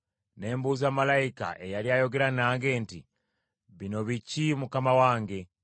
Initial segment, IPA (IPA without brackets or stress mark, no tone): n